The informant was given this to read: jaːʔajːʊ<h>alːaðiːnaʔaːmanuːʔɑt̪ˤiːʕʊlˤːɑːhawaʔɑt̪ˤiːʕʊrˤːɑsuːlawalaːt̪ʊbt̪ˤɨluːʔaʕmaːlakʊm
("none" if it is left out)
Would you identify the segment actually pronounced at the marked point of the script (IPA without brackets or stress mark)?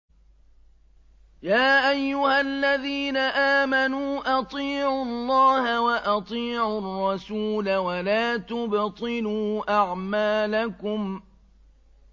h